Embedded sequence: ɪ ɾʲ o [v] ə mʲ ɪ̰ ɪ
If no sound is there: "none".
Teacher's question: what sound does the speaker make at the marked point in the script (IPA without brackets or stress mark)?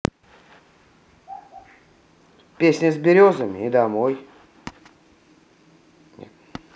z